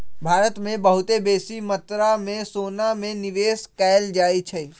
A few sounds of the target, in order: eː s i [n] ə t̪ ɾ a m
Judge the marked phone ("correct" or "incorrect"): incorrect